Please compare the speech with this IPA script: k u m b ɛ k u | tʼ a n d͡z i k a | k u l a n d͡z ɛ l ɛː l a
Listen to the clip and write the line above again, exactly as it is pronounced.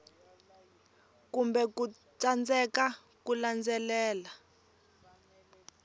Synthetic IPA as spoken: k u m b ɛ k u | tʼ a n d͡z ɛ k a | k u l a n d͡z ɛ l ɛː l a